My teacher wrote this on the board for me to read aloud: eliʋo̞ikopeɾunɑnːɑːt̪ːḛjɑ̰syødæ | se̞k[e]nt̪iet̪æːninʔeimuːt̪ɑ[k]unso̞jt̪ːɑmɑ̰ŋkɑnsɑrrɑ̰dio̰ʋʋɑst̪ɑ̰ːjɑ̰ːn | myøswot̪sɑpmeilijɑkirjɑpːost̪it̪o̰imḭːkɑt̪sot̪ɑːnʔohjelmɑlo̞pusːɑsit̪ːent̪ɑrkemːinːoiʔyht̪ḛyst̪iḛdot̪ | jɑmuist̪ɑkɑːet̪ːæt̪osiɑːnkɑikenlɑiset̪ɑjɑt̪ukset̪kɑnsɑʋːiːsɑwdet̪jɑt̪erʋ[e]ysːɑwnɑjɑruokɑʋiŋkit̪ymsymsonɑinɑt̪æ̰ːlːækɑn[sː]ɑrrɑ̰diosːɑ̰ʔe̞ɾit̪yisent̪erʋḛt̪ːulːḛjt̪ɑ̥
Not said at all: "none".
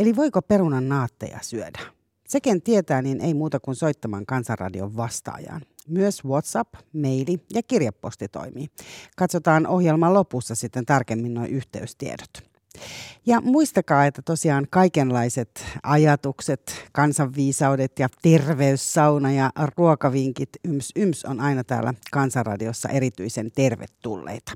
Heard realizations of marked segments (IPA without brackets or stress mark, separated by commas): e, k, e, s